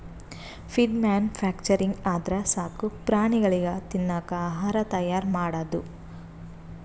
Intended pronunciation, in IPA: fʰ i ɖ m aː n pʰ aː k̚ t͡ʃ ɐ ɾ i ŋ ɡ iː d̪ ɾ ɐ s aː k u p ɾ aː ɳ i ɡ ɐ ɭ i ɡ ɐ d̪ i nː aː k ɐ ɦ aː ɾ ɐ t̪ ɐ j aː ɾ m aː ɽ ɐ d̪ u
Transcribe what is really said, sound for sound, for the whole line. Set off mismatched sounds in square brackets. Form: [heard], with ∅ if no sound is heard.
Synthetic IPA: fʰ i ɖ m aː n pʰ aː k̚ t͡ʃ ɐ ɾ i ŋ ɡ [aː] d̪ ɾ ɐ s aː k u p ɾ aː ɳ i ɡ ɐ ɭ i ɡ ɐ [t̪] i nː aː k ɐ ɦ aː ɾ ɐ t̪ ɐ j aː ɾ m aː ɽ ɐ d̪ u